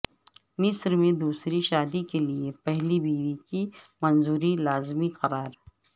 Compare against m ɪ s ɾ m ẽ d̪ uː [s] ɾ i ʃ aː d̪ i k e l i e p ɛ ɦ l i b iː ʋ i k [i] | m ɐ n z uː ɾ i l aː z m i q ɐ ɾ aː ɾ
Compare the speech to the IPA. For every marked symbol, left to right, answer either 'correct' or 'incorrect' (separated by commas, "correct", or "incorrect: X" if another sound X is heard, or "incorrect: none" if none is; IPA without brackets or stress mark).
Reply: correct, correct